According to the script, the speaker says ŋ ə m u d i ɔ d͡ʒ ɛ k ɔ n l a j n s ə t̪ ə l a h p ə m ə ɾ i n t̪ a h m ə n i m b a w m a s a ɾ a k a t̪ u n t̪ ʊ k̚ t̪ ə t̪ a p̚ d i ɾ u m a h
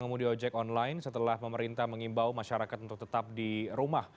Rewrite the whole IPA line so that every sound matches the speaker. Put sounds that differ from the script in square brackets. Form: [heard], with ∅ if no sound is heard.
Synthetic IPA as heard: ŋ ə m u d i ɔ d͡ʒ ɛ k ɔ n l a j n s ə t̪ ə l a h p ə m ə ɾ i n t̪ a h m ə [ŋ] i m b a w m a [ʃ] a ɾ a k a t̪ u n t̪ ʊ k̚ t̪ ə t̪ a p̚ d i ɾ u m a h